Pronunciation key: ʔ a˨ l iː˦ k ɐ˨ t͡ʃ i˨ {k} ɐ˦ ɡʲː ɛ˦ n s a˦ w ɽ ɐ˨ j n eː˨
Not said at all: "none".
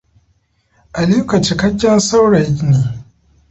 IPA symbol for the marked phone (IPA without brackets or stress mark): k